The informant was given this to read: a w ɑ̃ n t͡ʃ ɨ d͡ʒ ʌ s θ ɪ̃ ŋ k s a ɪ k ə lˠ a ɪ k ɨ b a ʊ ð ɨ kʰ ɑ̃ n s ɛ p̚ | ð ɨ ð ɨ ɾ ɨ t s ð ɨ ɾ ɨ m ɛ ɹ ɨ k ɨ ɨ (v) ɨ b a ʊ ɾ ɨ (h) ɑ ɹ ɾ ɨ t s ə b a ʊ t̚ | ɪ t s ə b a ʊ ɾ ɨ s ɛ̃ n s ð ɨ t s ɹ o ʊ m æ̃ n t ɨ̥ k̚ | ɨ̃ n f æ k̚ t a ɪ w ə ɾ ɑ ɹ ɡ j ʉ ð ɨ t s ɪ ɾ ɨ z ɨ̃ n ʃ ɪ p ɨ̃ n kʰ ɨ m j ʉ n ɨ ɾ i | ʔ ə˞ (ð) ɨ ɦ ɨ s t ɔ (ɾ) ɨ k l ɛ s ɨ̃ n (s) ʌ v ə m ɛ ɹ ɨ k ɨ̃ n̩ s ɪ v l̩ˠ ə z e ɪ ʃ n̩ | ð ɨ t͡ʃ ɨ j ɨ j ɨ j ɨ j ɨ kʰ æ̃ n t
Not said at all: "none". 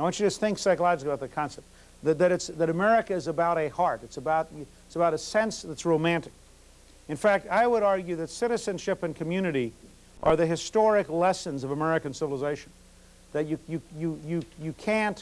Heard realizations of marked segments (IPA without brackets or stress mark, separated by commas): z, h, ð, ɹ, z